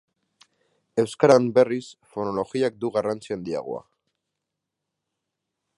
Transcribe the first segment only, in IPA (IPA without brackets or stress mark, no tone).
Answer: e̞